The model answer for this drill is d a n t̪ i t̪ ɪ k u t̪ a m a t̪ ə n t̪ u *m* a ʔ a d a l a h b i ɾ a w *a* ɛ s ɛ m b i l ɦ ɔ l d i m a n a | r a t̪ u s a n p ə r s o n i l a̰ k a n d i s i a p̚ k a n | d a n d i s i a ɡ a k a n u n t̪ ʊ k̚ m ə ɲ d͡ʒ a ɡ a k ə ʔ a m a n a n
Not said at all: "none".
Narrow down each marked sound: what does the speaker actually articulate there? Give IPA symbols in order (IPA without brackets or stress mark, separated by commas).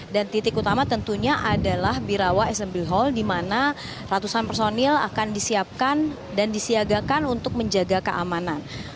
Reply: ɲ, a